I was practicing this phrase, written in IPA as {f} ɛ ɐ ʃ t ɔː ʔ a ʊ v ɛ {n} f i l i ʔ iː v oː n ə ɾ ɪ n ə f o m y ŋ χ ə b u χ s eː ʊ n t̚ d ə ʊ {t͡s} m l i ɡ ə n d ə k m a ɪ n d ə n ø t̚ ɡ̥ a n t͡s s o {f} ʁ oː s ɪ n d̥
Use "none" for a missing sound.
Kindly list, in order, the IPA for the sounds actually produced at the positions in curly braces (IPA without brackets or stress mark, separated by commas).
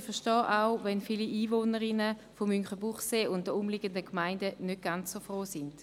f, n, none, f